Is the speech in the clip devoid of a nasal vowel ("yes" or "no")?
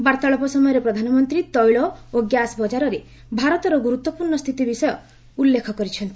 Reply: yes